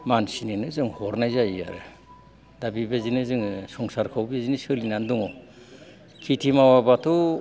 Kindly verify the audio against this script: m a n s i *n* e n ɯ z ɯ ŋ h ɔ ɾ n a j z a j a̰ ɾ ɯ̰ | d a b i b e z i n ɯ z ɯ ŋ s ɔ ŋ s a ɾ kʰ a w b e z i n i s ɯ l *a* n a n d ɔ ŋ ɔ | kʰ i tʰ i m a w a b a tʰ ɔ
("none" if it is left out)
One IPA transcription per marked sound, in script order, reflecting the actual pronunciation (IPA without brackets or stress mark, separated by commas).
n, i